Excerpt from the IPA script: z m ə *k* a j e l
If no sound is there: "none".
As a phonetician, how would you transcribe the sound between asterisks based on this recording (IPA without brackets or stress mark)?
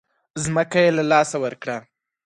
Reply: k